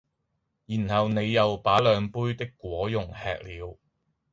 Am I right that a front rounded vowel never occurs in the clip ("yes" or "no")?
no